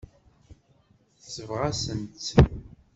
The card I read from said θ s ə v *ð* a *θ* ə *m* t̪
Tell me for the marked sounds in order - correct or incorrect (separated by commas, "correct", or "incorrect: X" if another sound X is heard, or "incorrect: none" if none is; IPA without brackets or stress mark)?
incorrect: ʁ, incorrect: s, incorrect: n